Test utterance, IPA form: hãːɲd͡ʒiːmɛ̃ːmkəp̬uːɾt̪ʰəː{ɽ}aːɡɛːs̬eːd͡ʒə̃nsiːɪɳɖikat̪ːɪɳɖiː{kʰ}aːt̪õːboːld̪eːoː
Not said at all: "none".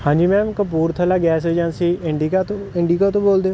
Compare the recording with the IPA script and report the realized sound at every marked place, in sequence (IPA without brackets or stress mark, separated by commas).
l, k